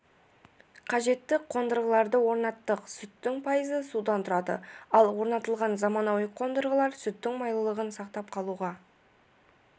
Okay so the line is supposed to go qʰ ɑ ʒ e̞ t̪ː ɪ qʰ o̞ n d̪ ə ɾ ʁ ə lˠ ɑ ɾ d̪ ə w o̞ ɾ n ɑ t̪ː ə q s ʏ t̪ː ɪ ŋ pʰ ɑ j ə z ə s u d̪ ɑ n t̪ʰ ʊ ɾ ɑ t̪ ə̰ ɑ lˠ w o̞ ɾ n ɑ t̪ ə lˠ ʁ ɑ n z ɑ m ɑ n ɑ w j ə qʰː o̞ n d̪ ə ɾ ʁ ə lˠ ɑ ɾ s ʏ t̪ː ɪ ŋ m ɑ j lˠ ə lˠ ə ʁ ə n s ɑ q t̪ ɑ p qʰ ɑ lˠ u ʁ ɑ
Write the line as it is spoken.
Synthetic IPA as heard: qʰ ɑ ʒ e̞ t̪ː ɪ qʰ o̞ n d̪ ə ɾ ʁ ə lˠ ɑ ɾ d̪ ə w o̞ ɾ n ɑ t̪ː ə q s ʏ t̪ː ɪ ŋ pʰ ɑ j ə z ə s u d̪ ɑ n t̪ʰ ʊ ɾ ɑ d̪ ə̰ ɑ lˠ w o̞ ɾ n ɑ t̪ ə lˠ ʁ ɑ n z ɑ m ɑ n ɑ w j ə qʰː o̞ n d̪ ə ɾ ʁ ə lˠ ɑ ɾ s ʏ t̪ː ɪ ŋ m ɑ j lˠ ə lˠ ə ʁ ə n s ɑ q t̪ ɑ p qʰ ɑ lˠ u ʁ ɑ